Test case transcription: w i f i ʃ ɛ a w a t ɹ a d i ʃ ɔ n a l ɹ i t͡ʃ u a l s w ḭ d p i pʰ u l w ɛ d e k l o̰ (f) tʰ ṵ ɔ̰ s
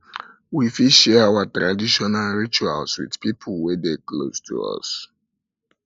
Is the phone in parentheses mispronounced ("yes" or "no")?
yes